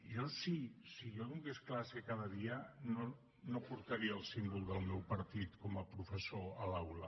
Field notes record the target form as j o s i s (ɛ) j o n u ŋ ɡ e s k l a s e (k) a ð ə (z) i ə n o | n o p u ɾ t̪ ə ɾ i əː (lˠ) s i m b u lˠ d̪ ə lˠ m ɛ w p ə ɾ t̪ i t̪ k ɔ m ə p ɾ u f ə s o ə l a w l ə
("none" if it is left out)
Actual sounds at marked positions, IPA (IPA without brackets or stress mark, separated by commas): i, k, ð, lˠ